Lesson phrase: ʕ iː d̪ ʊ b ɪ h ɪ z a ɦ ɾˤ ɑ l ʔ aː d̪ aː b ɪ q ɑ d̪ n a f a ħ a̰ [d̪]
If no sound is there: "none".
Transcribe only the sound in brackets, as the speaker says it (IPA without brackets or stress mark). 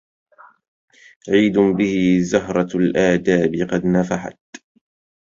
t̪